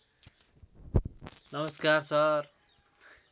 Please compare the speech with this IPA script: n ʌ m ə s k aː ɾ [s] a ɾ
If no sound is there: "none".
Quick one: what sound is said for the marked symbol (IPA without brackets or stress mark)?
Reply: s